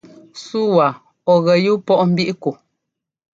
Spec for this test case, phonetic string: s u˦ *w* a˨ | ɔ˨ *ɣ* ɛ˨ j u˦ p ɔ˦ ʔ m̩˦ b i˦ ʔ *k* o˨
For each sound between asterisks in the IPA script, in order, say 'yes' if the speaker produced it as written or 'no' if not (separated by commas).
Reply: yes, yes, yes